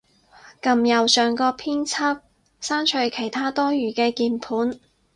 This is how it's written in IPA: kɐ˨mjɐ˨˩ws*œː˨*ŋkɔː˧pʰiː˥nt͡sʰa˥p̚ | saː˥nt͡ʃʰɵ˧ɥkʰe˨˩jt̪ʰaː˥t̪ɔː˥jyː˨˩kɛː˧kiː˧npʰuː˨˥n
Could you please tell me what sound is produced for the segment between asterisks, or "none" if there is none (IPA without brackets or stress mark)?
œː˨